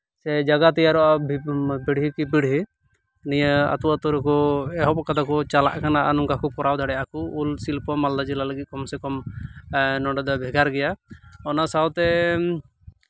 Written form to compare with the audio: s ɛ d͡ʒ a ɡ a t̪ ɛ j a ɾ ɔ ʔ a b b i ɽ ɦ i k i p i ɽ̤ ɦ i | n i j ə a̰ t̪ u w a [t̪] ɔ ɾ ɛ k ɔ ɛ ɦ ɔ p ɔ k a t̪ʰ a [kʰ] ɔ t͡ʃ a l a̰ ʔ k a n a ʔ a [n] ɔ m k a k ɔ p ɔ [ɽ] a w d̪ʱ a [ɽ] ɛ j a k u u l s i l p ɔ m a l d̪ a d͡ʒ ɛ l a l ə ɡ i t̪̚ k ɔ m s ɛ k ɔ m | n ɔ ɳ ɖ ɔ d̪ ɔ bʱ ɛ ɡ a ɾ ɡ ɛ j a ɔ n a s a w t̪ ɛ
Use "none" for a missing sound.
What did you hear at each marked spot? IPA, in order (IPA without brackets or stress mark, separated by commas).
t̪, k, n, ɾ, ɽ